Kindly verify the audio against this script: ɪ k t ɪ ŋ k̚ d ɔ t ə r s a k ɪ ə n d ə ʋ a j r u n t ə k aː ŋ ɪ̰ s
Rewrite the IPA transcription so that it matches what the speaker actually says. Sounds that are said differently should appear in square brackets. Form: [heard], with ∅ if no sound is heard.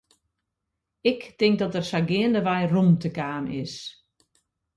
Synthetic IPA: ɪ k t ɪ ŋ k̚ d ɔ t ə r s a [ɡ] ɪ ə n d ə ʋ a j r u [m] t ə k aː [m] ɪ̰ s